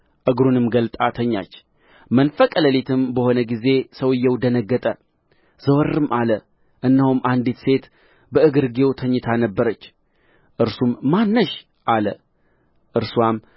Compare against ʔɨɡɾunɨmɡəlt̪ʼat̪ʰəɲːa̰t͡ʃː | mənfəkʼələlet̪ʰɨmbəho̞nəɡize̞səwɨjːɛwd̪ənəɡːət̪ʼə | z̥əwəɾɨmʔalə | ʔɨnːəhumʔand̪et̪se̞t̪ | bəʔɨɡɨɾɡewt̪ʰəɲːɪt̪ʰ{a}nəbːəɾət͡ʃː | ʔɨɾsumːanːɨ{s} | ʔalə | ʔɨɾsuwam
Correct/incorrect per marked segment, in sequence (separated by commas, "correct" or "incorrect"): correct, incorrect